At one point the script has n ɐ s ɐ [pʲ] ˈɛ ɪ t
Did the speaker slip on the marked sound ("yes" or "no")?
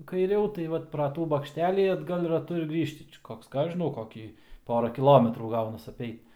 no